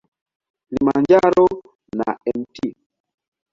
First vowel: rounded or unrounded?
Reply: unrounded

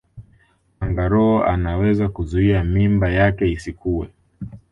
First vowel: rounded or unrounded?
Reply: unrounded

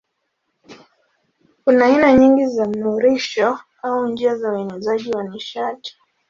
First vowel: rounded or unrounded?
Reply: rounded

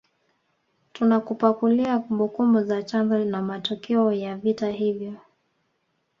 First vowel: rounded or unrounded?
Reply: rounded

